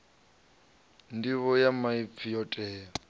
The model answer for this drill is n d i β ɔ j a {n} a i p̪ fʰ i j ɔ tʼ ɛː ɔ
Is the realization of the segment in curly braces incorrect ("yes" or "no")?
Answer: yes